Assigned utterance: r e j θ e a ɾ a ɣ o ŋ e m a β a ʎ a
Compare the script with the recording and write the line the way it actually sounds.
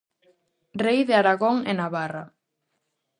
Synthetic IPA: r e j ð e a ɾ a ɣ o ŋ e n a β a r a